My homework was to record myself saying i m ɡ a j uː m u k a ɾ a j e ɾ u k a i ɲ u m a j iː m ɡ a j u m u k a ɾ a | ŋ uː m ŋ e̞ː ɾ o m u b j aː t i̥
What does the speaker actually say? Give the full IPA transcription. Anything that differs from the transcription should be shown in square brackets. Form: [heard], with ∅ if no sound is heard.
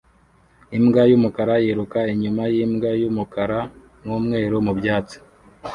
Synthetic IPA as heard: i m ɡ a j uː m u k a ɾ a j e ɾ u k a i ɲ u m a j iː m ɡ a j u m u k a ɾ a | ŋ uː m ŋ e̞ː ɾ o m u b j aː [t͡s] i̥